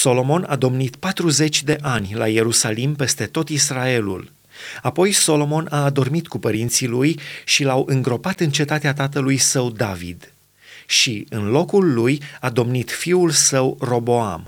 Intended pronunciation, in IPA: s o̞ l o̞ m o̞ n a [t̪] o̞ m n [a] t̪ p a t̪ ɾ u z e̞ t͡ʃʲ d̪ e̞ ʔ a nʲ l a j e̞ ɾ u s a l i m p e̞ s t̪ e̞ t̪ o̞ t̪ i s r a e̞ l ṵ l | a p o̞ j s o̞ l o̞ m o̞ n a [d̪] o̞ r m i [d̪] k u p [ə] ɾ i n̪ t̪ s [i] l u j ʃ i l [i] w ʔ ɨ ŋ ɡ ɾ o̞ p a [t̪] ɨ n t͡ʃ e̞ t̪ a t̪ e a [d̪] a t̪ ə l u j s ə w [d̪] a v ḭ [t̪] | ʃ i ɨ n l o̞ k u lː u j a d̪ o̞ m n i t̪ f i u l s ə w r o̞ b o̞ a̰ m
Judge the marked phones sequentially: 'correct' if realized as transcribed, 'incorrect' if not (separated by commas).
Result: incorrect, incorrect, correct, incorrect, correct, correct, incorrect, correct, incorrect, correct, incorrect